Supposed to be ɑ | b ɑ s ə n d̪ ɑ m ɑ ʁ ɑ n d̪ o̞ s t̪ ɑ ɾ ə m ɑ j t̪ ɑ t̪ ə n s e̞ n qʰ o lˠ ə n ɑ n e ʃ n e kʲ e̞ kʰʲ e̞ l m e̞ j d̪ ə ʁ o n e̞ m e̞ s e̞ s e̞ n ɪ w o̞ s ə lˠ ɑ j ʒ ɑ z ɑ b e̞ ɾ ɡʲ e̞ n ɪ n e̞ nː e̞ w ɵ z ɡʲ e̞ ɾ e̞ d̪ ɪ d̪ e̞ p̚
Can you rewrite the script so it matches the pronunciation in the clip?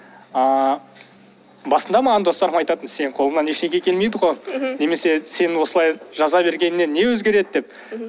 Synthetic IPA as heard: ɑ | b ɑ s ə n d̪ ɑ m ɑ ʁ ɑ n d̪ o̞ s t̪ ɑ ɾ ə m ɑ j t̪ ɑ t̪ ə n s e̞ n qʰ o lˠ ə n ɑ n e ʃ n e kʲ e̞ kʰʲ e̞ l m e̞ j d̪ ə ʁ o n e̞ m e̞ s e̞ s e̞ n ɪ w o̞ s ə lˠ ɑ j ʒ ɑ z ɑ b e̞ ɾ ɡʲ e̞ n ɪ n e̞ nː e̞ w ɵ z ɡʲ e̞ ɾ e̞ d̪ ɪ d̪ e̞ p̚